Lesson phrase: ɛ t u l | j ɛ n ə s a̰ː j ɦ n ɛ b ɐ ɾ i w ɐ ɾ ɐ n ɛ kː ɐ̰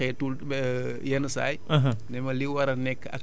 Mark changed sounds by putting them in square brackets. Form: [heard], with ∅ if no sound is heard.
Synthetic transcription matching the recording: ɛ t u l | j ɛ n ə s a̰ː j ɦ n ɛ [m] ɐ [l] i w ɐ ɾ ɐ n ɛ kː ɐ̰